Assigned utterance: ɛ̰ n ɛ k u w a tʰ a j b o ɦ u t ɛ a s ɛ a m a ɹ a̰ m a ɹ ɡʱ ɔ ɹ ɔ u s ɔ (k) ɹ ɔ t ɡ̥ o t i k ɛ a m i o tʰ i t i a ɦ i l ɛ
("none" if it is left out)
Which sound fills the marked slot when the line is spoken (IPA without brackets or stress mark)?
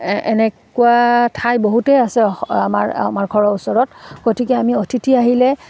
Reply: none